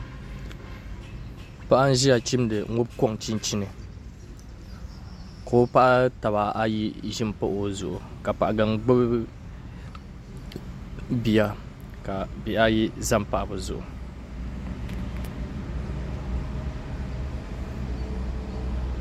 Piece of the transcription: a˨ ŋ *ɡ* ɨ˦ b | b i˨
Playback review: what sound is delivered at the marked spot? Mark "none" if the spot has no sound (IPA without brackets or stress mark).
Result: ɡ͡b